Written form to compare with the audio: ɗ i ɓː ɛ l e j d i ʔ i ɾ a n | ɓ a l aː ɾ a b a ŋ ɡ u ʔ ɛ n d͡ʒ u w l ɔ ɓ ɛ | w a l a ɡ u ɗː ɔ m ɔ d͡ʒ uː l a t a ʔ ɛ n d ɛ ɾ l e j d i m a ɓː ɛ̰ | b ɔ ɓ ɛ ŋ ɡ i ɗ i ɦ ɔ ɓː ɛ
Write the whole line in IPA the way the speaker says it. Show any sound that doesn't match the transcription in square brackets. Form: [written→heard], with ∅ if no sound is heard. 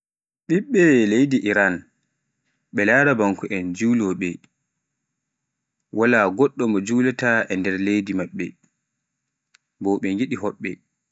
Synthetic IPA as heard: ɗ i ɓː ɛ l e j d i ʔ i ɾ a n | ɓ [a→ɛ] l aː ɾ a b a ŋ [ɡ→k] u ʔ ɛ n d͡ʒ u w l ɔ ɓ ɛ | w a l a ɡ [u→ɔ] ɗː ɔ m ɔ d͡ʒ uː l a t a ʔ ɛ n d ɛ ɾ l e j d i m a ɓː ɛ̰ | b ɔ ɓ ɛ ŋ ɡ i ɗ i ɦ ɔ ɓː ɛ